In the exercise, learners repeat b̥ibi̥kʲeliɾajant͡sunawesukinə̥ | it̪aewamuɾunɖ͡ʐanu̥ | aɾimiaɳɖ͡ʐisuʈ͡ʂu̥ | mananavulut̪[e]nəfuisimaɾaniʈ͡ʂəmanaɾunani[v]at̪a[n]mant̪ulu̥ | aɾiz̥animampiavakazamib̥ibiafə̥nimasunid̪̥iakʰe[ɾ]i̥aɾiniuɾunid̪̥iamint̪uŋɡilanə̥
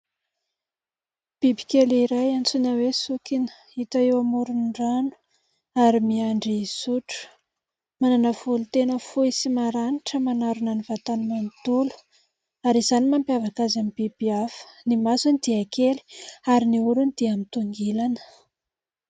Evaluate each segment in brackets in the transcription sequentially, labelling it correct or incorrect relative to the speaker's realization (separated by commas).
correct, correct, correct, incorrect